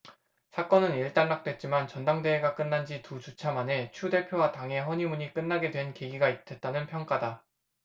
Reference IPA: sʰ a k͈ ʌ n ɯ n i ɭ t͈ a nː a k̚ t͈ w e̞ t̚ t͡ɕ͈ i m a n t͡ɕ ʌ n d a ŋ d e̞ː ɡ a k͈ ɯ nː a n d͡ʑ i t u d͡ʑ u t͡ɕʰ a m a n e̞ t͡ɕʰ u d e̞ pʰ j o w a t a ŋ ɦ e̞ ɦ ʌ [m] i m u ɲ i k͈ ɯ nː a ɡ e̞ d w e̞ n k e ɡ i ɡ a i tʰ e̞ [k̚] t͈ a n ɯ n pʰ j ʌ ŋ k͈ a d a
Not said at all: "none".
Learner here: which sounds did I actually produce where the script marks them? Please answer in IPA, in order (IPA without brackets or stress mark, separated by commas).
ɲ, t̚